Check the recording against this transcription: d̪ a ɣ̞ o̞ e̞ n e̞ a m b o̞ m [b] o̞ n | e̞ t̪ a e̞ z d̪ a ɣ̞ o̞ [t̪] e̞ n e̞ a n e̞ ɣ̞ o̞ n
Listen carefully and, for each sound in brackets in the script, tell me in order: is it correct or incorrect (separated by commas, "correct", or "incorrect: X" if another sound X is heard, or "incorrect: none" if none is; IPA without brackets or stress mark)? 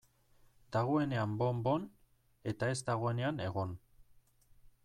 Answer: correct, incorrect: none